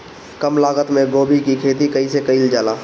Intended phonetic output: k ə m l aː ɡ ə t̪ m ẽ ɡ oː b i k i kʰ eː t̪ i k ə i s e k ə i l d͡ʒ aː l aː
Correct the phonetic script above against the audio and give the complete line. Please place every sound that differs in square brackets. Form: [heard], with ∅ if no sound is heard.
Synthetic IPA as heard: k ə m l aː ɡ ə t̪ m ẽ ɡ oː b i k i kʰ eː t̪ i k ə i s e k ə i l d͡ʒ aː l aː